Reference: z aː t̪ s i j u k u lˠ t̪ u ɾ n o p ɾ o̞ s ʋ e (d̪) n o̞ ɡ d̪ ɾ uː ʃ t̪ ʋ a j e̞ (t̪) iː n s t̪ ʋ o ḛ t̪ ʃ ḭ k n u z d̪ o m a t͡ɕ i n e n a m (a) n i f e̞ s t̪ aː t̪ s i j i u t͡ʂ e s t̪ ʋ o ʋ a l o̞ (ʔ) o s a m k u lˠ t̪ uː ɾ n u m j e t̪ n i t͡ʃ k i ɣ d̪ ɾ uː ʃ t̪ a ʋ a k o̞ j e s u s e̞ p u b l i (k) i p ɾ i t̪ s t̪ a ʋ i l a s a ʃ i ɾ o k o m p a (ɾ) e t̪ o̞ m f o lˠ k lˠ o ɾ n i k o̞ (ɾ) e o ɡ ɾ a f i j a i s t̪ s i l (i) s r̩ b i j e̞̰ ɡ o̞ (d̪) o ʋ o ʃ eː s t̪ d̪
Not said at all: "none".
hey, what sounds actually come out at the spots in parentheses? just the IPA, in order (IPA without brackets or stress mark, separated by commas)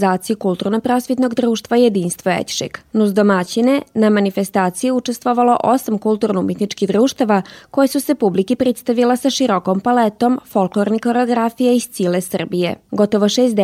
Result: t̪, d̪, a, ʔ, k, l, ɾ, e, t̪